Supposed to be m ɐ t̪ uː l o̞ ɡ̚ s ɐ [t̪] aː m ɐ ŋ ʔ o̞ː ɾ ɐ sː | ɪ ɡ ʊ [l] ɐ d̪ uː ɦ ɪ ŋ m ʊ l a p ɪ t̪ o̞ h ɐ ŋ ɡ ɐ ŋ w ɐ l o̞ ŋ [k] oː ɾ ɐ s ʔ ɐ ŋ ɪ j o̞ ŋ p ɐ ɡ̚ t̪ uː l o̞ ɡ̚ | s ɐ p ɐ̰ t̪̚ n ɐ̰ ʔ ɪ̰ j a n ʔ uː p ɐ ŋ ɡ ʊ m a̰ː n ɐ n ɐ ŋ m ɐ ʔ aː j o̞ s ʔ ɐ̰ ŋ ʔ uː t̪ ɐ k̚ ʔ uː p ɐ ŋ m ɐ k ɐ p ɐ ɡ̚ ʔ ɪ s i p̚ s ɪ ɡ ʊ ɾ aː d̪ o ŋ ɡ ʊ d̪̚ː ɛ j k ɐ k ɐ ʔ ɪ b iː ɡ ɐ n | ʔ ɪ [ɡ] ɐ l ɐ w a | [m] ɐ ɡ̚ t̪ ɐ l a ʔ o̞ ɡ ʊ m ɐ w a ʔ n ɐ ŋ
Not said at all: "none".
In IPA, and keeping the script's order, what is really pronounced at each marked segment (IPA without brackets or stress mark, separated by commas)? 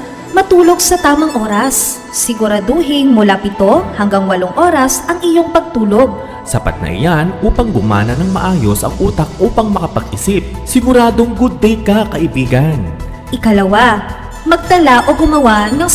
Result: t̪, ɾ, ʔ, k, m